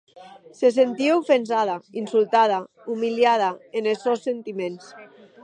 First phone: s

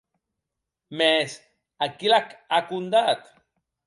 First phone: m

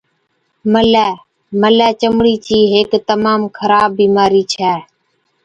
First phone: m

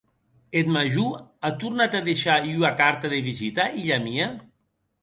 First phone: e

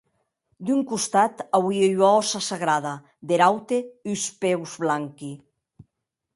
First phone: d̪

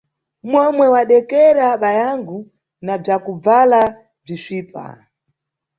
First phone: m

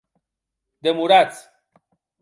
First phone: d̪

